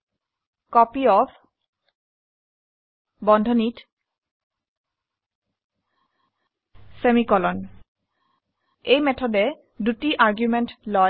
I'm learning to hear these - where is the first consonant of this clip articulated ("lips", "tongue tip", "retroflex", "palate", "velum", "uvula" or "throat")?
velum